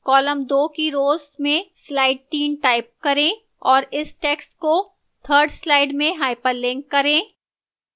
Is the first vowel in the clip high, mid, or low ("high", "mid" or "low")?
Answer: mid